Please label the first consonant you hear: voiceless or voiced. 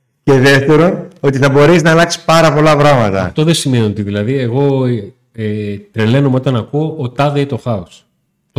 voiceless